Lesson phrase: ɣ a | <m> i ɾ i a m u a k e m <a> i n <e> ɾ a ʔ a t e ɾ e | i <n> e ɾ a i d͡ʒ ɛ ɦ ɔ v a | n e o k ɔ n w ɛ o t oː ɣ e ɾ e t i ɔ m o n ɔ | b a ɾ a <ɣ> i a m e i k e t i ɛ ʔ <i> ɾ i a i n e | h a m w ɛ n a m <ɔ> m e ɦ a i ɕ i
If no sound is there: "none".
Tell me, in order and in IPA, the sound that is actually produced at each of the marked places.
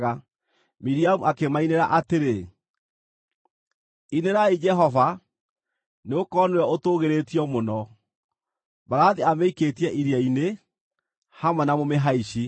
m, a, e, n, ð, i, o

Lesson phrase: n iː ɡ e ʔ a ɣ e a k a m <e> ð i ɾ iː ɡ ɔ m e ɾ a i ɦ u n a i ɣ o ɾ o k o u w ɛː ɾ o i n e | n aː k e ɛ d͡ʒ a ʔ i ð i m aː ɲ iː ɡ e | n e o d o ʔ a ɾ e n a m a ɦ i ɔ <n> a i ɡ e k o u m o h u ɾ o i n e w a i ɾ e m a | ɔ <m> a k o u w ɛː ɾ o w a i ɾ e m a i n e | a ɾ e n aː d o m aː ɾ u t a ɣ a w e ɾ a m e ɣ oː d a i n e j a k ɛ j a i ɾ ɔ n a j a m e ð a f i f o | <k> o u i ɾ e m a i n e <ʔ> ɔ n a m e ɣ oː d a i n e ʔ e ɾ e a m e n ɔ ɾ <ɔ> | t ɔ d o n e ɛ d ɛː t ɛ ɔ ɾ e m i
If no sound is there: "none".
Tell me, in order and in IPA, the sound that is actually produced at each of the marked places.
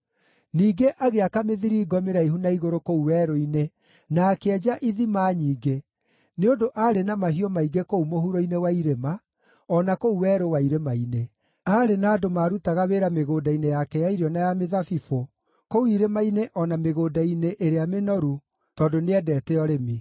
e, m, n, k, ʔ, u

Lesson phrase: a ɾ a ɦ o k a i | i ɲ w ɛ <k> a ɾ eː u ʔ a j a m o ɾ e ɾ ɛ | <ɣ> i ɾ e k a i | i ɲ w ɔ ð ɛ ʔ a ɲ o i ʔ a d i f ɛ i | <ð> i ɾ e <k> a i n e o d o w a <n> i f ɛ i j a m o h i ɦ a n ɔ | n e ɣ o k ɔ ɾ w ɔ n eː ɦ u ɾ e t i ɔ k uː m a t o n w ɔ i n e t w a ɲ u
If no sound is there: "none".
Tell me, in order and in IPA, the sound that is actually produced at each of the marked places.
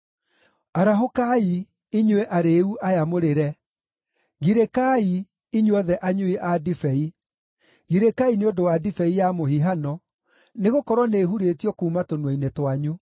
ʔ, ɣ, ɣ, k, d

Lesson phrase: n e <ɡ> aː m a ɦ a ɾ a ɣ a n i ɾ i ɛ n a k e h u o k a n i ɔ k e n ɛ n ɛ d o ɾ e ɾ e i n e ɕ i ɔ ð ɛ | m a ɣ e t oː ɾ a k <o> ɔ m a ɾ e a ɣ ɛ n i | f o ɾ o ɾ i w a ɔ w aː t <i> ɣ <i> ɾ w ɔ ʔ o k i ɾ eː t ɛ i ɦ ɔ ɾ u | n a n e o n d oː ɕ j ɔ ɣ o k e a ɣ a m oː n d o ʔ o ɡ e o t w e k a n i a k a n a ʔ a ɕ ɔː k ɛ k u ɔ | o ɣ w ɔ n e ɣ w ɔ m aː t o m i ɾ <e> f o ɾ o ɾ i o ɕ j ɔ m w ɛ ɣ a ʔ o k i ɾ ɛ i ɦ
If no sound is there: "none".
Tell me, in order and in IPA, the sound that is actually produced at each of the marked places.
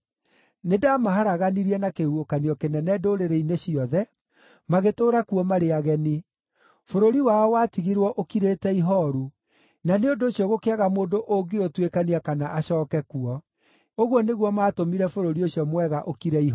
d, u, i, i, ɛ

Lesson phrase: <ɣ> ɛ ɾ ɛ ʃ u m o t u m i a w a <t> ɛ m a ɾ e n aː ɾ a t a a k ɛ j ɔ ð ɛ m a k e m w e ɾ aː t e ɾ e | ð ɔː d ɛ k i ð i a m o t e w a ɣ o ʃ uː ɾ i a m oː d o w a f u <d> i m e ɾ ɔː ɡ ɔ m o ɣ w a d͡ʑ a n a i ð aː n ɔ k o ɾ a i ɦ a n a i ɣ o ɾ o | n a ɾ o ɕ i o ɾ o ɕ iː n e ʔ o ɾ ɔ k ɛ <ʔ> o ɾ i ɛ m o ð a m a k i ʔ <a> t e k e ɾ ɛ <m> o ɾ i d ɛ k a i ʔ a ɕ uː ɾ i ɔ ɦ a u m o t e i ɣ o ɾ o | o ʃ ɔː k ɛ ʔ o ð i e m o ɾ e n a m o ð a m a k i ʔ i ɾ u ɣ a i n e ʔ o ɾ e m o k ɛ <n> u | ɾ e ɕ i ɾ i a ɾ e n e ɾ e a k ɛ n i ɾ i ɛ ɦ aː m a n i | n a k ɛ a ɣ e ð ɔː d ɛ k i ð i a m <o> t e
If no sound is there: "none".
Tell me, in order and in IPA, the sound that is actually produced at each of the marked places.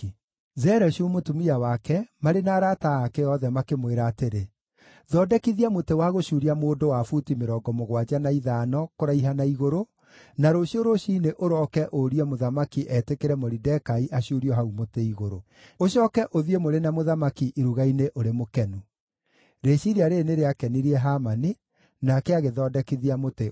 z, k, t, ʔ, ɛ, m, n, o

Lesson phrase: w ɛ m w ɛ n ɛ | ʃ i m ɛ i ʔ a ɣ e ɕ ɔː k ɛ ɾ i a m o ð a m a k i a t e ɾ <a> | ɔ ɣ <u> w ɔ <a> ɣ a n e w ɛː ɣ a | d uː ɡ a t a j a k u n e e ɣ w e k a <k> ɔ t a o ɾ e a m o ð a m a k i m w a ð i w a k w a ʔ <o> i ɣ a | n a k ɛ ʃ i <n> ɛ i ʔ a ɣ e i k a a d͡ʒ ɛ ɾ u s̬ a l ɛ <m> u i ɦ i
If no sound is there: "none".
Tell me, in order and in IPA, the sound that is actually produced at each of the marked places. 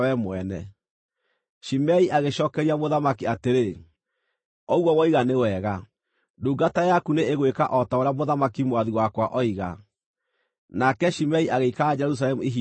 e, ɔ, i, ʔ, ɔ, m, m

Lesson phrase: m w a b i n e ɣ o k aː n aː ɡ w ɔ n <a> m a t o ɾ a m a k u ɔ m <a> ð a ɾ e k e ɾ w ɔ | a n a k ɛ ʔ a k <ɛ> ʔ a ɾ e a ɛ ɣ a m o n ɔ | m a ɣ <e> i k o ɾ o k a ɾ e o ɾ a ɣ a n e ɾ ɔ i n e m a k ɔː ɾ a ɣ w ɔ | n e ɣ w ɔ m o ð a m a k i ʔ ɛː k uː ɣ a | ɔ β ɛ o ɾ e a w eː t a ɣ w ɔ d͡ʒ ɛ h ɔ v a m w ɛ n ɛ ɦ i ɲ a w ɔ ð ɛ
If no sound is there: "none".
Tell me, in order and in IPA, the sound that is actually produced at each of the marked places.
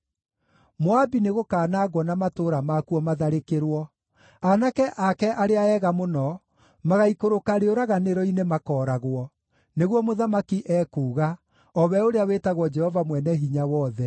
a, a, ɛ, a

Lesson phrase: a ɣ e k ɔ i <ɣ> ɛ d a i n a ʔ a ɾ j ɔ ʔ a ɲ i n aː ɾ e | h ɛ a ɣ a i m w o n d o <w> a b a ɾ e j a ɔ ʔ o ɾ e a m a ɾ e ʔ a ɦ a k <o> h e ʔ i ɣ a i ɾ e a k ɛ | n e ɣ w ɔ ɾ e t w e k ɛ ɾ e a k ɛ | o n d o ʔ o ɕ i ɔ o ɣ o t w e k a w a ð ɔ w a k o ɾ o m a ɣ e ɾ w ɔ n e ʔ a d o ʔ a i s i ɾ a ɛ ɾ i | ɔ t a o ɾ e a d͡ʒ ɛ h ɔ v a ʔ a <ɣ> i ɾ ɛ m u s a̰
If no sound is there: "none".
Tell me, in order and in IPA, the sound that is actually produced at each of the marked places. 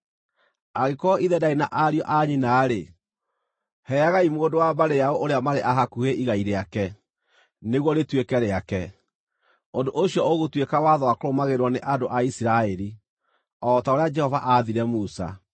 ð, w, u, ð

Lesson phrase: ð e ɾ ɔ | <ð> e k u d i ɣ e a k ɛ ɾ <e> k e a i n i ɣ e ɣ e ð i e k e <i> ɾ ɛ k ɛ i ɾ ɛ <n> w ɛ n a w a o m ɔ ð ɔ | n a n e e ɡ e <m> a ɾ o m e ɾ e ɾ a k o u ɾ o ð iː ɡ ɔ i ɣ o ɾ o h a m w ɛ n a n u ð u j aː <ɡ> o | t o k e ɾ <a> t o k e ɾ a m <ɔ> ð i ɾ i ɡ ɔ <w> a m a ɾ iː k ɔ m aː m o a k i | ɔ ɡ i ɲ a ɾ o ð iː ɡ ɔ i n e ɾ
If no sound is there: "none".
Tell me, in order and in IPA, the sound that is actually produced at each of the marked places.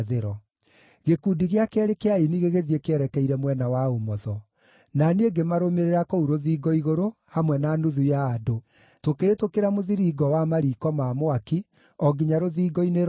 ɣ, e, ɛ, m, m, d, e, o, w

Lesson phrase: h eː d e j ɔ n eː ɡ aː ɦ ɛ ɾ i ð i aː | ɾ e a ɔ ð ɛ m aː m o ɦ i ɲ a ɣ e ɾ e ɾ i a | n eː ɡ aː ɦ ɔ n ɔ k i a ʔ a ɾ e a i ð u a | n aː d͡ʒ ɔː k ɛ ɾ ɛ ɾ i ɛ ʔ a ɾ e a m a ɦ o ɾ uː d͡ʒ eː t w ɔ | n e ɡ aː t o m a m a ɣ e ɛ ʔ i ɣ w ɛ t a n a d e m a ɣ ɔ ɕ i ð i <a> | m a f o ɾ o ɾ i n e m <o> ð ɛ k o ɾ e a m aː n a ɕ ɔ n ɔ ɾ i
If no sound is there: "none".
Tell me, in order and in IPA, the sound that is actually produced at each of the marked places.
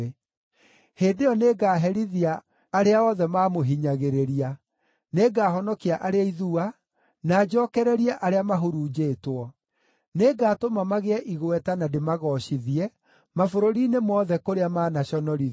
ɛ, ɔ

